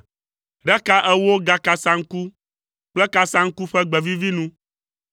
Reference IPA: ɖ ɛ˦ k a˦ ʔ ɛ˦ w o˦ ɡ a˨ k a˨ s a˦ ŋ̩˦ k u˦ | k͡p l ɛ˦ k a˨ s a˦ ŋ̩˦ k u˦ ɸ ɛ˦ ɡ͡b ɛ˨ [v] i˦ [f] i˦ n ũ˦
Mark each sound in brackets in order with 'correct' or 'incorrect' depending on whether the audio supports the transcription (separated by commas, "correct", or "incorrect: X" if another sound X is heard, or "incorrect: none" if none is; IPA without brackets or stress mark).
correct, incorrect: v